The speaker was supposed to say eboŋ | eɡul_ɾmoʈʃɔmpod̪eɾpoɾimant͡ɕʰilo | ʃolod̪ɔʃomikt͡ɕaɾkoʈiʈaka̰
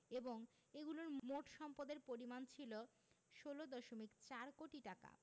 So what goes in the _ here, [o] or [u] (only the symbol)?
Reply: o